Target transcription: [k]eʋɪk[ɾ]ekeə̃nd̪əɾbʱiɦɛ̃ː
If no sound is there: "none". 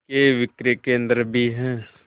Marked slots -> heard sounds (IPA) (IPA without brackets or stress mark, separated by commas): k, ɾ